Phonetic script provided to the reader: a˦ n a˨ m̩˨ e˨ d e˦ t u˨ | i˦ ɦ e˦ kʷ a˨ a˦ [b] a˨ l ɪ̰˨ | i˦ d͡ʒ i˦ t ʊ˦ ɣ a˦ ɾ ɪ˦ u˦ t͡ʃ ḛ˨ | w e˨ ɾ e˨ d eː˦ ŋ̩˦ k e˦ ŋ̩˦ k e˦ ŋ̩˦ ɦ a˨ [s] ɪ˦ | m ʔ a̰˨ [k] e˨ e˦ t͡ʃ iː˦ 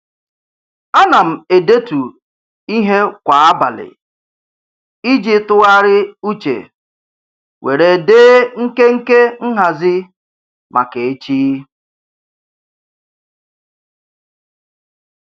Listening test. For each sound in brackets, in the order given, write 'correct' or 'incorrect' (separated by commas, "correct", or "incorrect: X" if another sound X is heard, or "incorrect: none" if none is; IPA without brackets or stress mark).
correct, incorrect: z, correct